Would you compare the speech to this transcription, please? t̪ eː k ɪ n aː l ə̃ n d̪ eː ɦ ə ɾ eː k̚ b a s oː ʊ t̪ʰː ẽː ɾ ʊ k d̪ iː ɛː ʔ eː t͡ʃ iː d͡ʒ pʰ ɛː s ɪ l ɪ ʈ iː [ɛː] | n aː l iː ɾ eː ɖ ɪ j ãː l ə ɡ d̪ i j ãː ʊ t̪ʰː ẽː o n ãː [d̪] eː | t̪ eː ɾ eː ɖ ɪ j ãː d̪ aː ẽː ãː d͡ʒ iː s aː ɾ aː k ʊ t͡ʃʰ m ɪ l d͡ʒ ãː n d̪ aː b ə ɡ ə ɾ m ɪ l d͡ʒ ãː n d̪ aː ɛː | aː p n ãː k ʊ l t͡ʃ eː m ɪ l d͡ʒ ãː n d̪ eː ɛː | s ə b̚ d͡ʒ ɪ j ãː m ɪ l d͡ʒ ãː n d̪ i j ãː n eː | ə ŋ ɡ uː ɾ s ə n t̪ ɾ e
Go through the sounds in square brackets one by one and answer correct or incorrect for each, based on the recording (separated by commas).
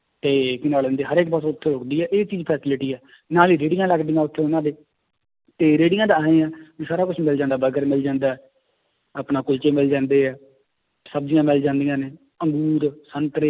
correct, correct